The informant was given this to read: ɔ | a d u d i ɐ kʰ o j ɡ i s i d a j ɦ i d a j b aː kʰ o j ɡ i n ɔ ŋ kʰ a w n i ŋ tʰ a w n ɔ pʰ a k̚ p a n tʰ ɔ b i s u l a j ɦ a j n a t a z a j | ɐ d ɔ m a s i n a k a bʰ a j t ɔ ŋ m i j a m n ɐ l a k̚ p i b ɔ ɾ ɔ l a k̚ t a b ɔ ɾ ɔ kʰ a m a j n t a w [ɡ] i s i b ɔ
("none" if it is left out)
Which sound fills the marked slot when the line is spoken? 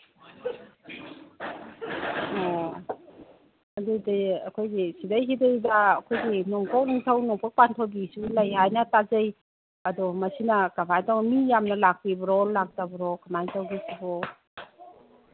ɡ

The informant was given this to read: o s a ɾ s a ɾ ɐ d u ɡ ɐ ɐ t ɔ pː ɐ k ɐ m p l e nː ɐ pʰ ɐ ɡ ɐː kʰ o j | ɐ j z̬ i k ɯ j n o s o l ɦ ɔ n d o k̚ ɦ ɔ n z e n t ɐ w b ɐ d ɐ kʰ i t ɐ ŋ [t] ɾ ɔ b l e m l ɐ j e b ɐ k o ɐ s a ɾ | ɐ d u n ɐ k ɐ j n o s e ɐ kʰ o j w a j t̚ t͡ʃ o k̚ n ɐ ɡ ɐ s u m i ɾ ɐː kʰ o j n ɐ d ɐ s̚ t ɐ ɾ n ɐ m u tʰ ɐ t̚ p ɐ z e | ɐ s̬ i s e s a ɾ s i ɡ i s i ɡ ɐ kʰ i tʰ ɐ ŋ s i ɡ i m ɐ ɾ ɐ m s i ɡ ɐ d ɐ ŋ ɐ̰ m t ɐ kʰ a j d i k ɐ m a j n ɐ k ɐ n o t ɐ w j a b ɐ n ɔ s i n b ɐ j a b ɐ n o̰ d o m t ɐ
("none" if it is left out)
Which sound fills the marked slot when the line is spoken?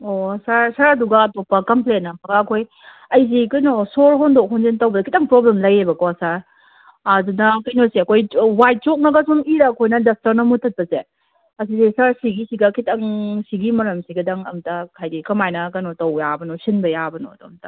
p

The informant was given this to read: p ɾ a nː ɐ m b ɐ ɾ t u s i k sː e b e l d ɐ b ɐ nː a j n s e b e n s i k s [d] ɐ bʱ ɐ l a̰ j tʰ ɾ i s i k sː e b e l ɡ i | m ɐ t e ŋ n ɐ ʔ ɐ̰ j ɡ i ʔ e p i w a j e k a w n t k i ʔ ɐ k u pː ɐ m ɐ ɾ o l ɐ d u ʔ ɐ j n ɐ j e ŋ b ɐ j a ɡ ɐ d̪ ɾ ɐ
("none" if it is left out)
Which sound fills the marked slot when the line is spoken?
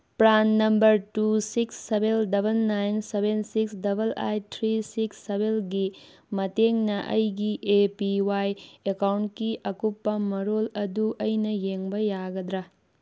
d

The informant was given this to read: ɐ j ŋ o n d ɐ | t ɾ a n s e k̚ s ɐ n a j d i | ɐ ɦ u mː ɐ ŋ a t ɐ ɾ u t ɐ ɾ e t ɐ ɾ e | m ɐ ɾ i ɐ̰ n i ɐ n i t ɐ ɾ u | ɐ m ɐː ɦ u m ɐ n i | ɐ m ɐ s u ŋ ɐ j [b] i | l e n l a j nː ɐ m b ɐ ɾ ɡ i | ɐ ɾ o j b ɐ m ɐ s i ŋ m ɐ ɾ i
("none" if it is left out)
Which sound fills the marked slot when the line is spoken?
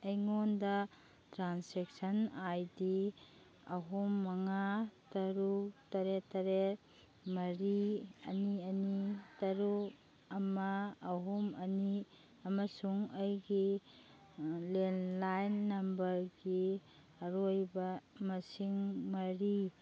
ɡ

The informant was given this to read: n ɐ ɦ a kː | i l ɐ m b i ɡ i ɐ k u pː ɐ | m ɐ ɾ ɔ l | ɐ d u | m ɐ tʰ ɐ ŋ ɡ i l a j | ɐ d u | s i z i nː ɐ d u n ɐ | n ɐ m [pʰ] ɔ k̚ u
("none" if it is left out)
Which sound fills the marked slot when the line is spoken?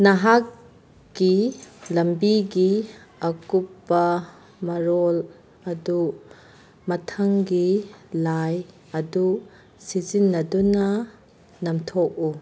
tʰ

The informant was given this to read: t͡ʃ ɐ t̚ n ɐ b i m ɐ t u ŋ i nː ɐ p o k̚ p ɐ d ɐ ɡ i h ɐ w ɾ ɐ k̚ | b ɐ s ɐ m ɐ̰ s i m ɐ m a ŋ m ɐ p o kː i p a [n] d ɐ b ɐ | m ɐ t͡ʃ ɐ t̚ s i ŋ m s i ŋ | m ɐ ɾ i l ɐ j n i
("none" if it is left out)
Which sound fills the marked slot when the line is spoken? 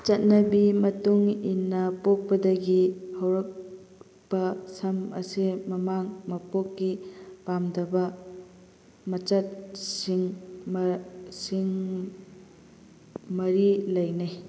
m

